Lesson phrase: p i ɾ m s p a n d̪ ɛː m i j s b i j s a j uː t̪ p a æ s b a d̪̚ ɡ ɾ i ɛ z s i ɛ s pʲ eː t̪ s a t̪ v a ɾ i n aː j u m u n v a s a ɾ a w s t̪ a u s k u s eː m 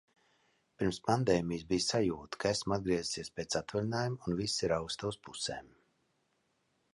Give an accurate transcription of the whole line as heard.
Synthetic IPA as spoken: p i ɾ m s p a n d̪ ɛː m i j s b i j s a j uː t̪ k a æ s m a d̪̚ ɡ ɾ i ɛ z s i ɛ s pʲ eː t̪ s a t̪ v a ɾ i n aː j u m u n v i s i ɾ a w s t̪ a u s p u s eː m